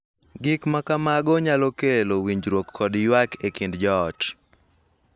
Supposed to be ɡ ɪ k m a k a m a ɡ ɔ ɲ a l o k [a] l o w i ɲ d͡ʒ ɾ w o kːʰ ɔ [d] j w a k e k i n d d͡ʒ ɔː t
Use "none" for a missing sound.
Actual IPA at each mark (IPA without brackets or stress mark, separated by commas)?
e, d